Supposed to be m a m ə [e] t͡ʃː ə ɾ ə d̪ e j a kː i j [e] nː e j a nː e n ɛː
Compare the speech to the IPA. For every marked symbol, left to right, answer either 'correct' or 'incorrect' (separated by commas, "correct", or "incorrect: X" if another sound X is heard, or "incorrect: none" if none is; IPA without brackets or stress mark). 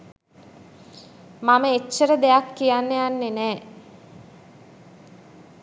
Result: correct, incorrect: a